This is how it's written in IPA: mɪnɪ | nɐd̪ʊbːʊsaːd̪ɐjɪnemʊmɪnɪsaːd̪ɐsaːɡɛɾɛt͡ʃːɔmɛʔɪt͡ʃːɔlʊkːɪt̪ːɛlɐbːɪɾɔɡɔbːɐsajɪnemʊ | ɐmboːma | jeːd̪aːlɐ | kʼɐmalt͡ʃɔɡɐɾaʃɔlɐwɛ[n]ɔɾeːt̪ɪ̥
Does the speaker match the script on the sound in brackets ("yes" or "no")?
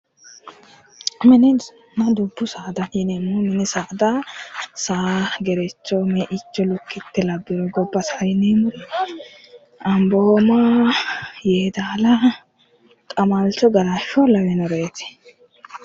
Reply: yes